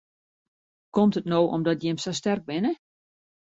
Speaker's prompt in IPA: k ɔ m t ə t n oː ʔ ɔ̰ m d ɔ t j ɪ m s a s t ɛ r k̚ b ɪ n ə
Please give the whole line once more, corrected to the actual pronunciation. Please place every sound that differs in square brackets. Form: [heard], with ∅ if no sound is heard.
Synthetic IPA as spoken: k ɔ m t ə t n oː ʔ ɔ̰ m d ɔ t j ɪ m s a s t ɛ r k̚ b ɪ n ə